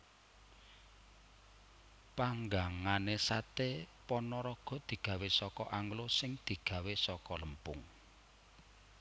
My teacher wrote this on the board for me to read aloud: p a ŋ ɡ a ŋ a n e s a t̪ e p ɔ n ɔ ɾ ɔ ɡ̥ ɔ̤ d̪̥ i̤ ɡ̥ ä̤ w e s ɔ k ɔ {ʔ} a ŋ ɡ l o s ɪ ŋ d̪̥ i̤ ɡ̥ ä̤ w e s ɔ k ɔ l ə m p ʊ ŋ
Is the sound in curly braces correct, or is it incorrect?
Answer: correct